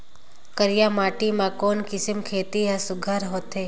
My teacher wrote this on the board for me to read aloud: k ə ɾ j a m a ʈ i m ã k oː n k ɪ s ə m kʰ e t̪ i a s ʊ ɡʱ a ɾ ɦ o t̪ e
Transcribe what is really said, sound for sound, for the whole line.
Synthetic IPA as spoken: k ə ɾ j a m a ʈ i m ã k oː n k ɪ s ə m kʰ e t̪ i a s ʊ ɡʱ a ɾ ɦ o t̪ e